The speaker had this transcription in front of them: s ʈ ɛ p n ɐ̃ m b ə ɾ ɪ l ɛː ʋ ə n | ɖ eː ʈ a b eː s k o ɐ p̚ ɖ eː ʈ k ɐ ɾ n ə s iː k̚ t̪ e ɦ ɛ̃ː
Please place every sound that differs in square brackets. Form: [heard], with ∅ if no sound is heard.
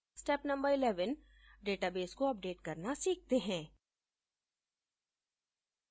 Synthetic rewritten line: s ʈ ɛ p n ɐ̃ m b ə ɾ ɪ l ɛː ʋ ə n | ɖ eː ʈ a b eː s k o ɐ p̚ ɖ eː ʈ k ɐ ɾ n [a] s iː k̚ t̪ e ɦ ɛ̃ː